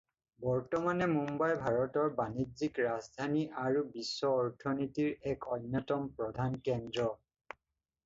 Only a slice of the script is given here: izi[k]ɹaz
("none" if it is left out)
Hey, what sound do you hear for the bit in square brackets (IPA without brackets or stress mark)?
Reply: k